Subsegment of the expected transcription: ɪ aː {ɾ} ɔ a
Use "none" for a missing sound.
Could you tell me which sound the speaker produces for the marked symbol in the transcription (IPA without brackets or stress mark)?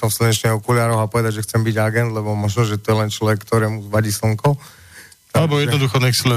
ɾ